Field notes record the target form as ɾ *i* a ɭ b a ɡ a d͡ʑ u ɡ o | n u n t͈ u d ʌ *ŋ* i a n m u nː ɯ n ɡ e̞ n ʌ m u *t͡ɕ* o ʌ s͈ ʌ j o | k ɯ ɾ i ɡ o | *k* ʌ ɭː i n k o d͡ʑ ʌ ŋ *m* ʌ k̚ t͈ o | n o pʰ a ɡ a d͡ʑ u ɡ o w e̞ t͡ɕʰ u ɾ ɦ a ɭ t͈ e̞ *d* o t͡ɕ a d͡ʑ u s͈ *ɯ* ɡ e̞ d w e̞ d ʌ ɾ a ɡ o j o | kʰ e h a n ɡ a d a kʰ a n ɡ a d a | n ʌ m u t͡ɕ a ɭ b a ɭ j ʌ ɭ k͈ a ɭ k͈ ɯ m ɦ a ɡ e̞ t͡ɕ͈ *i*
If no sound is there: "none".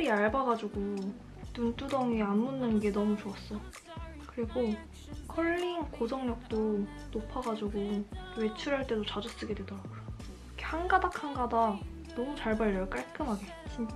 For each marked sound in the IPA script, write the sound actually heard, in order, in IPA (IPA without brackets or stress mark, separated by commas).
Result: i, ŋ, t͡ɕ, kʰ, ɲ, d, ɯ, i